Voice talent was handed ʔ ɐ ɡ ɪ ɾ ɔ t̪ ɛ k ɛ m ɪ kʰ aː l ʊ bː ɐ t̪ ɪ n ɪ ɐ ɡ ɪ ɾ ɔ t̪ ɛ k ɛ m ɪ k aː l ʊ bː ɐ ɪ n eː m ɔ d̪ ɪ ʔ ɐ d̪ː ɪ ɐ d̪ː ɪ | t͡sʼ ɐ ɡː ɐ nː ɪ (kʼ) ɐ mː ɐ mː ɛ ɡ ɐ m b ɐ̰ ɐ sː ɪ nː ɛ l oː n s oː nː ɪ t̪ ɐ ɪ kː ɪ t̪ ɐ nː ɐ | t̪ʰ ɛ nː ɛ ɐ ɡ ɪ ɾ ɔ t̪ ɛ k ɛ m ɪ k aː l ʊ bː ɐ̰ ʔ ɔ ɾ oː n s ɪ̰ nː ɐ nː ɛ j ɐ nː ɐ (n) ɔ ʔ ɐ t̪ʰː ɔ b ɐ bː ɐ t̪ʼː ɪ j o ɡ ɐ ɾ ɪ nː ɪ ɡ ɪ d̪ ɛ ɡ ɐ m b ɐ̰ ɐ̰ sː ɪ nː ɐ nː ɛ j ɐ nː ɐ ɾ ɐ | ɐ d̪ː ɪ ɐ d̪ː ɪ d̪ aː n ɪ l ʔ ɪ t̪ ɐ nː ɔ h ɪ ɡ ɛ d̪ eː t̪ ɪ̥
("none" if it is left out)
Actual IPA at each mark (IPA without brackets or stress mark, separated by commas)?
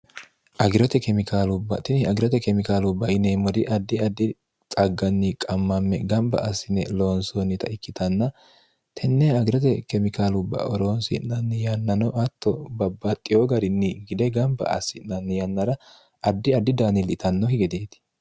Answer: kʼ, n